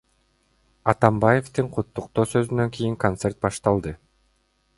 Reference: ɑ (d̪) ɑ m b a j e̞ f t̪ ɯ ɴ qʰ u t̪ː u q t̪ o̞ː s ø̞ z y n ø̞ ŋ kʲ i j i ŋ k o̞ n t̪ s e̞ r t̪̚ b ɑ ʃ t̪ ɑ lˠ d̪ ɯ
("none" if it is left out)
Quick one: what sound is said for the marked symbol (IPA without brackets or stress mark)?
t̪